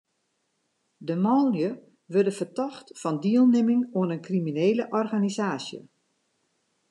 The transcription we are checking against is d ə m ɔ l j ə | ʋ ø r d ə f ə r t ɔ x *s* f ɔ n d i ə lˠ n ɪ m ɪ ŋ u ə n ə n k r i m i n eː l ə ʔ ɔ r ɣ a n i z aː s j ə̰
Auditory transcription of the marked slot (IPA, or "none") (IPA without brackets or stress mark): t